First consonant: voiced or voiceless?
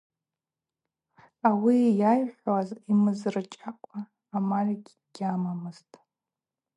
voiced